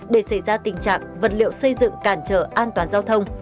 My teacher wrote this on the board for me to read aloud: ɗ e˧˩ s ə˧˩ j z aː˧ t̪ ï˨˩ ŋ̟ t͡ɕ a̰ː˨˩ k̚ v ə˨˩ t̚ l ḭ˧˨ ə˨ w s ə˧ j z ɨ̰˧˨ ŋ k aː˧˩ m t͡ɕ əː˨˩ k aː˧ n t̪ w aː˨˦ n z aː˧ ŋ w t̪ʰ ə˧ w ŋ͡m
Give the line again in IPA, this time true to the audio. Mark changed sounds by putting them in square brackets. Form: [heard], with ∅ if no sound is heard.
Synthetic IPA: ɗ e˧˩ s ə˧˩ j z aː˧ t̪ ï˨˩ ŋ̟ t͡ɕ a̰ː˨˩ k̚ v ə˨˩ t̚ l ḭ˧˨ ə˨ w s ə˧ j z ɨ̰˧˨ ŋ k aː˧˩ [n] t͡ɕ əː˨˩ [ʔ] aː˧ n t̪ w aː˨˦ n z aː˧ [∅] w t̪ʰ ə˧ w ŋ͡m